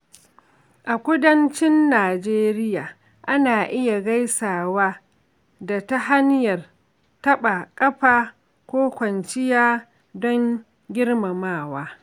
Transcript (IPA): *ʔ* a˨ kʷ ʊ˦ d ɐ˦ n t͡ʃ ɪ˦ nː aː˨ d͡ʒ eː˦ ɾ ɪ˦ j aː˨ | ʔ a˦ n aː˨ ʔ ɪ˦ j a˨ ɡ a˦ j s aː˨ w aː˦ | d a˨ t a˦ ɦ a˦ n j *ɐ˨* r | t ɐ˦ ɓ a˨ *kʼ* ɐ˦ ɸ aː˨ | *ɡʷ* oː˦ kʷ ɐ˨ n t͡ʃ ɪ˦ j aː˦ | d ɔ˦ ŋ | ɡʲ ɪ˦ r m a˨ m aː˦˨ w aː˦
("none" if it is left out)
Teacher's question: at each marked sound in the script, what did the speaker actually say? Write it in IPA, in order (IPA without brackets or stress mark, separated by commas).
ʔ, ɐ˨, kʼ, kʷ